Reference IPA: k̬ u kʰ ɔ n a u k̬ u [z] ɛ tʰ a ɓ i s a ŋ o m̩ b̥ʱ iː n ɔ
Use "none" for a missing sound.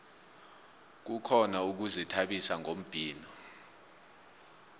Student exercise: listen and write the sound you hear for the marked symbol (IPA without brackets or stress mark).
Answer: z